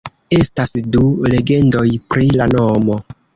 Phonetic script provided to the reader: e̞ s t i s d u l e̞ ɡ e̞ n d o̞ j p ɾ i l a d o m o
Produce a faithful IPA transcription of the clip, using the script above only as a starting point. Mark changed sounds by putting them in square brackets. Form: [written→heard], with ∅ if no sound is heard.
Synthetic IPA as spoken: e̞ s t [i→a] s d u l e̞ ɡ e̞ n d o̞ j p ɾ i l a [d→n] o m o